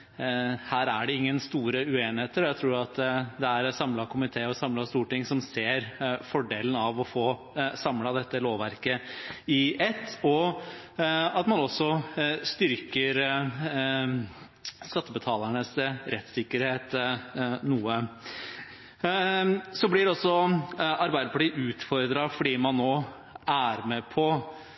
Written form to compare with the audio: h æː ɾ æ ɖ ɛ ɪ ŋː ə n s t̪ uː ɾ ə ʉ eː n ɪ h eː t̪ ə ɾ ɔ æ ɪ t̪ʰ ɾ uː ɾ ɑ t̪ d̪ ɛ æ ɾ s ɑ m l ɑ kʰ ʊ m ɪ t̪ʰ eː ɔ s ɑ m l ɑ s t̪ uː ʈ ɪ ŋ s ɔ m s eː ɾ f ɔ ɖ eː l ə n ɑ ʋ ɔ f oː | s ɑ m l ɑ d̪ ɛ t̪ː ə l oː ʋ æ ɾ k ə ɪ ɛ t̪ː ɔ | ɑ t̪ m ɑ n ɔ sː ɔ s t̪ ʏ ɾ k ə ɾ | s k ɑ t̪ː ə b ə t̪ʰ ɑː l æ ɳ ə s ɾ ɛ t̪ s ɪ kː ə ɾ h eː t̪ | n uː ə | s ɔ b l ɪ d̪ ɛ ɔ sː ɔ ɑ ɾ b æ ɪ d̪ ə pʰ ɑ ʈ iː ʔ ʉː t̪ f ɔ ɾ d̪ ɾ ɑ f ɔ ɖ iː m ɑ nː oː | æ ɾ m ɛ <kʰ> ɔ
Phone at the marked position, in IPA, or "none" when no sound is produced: pʰ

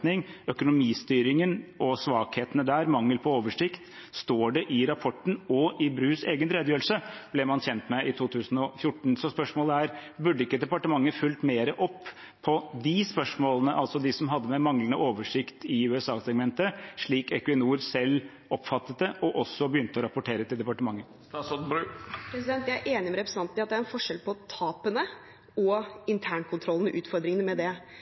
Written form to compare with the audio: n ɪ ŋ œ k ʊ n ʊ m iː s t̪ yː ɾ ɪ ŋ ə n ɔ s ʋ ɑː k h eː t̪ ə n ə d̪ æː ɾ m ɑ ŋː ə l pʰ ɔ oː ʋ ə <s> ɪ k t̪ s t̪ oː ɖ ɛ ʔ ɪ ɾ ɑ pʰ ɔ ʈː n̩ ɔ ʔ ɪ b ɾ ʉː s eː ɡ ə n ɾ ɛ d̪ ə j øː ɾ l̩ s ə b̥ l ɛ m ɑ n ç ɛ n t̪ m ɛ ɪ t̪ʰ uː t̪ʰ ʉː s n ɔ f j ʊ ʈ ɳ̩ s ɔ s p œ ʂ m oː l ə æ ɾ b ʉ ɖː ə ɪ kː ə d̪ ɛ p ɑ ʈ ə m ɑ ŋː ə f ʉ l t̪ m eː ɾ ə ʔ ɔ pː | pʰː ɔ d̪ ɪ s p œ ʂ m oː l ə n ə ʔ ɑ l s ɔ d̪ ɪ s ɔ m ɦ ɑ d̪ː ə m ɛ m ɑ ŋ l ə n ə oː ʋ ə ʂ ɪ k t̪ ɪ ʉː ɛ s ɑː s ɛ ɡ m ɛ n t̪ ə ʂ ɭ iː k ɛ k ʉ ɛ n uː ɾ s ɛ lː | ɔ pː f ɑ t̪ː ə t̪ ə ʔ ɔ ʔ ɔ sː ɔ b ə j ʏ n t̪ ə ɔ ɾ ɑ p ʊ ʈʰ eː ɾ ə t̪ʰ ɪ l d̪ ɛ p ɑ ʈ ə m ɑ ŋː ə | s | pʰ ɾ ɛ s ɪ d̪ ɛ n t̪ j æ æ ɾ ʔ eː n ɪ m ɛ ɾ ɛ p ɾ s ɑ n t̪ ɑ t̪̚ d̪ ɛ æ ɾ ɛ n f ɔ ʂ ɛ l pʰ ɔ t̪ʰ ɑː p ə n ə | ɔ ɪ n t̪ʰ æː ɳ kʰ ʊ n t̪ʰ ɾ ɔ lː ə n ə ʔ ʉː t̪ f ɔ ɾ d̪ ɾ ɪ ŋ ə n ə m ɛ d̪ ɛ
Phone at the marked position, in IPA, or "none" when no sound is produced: ʂ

